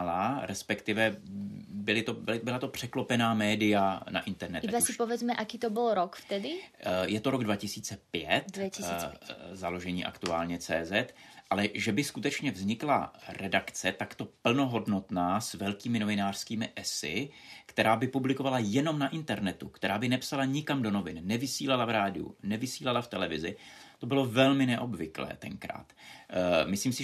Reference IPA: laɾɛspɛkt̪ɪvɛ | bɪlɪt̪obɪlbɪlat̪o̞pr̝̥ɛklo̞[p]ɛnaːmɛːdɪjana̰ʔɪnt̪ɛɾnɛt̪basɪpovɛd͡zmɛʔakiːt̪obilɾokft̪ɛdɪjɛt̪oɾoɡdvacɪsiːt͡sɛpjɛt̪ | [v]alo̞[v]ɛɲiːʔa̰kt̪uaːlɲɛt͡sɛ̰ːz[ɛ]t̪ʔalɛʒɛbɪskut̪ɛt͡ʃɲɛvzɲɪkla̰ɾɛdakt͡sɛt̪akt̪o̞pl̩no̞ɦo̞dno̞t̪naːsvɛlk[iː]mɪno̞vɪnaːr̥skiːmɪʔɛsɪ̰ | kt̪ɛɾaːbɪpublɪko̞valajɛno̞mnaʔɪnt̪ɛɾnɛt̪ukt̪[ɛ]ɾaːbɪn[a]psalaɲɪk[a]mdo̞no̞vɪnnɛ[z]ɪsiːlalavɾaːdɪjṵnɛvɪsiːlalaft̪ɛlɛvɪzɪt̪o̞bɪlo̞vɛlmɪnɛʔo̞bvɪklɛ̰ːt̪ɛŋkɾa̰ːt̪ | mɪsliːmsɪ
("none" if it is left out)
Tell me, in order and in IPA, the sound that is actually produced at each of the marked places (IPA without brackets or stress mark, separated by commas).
p, z, ʒ, ɛ, iː, ɛ, ɛ, a, v